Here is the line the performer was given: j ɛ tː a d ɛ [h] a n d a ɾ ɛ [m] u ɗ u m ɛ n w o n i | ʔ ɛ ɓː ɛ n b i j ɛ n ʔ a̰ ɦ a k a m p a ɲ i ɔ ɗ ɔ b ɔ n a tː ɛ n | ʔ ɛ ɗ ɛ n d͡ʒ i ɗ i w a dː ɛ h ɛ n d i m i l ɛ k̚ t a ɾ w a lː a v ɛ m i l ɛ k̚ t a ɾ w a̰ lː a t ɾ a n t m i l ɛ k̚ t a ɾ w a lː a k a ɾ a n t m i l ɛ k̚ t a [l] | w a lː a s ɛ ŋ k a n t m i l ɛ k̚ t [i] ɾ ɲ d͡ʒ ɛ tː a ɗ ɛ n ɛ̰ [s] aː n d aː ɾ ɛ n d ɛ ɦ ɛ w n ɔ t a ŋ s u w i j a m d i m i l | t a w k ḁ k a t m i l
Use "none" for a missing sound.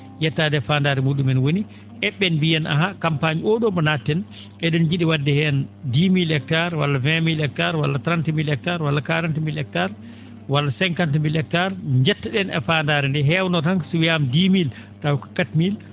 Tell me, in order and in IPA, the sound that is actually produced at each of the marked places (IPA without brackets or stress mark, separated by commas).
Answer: f, m, ɾ, a, f